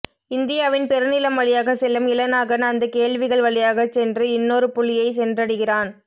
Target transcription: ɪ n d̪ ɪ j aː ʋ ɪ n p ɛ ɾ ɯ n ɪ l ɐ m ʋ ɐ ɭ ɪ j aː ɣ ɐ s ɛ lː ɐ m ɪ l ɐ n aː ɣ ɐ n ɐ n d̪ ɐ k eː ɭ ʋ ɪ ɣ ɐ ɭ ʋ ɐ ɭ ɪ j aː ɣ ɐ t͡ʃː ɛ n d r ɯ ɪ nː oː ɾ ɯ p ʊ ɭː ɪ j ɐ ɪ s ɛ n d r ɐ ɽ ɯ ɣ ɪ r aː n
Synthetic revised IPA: ɪ n d̪ ɪ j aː ʋ ɪ n p ɛ ɾ ɯ n ɪ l ɐ m ʋ ɐ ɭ ɪ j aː ɣ ɐ s ɛ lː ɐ m ɪ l ɐ n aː ɣ ɐ n ɐ n d̪ ɐ k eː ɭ ʋ ɪ ɣ ɐ ɭ ʋ ɐ ɭ ɪ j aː ɣ ɐ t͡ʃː ɛ n d r ɯ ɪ nː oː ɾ ɯ p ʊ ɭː ɪ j ɐ ɪ s ɛ n d r ɐ ɽ ɯ ɣ ɪ r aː n